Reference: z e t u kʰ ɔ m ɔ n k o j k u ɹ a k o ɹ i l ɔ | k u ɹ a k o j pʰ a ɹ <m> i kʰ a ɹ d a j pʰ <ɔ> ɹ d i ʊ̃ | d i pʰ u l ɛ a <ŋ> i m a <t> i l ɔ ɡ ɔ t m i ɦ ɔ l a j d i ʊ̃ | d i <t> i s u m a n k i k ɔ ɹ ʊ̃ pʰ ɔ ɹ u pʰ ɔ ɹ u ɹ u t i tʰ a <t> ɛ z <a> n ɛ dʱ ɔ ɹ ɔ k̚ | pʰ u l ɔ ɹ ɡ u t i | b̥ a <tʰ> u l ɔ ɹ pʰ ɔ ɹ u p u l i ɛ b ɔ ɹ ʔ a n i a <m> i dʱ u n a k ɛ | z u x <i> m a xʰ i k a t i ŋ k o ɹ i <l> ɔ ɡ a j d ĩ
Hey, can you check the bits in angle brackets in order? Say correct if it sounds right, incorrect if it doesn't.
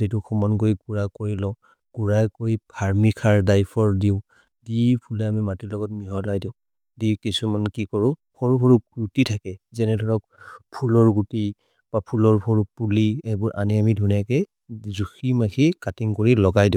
correct, correct, incorrect: m, correct, incorrect: k, incorrect: k, incorrect: ɛ, incorrect: pʰ, correct, correct, correct

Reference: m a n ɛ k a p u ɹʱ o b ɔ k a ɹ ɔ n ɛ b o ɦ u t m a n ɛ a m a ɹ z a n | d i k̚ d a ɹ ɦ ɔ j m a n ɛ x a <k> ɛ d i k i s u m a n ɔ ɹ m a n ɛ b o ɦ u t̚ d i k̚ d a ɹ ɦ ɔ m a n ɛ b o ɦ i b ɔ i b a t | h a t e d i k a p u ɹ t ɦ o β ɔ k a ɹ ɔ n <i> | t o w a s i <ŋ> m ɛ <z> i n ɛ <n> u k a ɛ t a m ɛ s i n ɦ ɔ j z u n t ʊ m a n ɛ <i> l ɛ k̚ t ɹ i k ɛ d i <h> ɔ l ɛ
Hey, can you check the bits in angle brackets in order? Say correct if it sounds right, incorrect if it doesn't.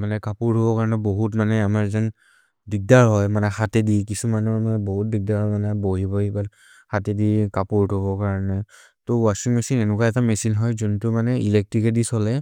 incorrect: t, incorrect: ɛ, correct, incorrect: s, correct, correct, incorrect: s

